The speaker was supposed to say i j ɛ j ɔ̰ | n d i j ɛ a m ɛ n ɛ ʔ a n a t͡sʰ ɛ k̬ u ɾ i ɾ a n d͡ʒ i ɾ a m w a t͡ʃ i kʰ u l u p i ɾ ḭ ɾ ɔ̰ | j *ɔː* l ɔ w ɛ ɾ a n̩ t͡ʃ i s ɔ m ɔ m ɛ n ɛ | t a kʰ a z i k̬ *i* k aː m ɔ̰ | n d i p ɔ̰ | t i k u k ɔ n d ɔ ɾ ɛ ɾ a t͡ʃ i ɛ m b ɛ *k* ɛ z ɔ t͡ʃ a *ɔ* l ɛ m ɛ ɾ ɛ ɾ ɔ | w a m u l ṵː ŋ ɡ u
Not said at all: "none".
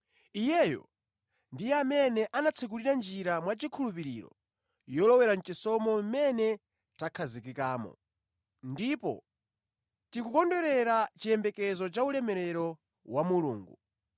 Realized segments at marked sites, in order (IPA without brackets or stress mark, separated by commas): ɔ, i, k, u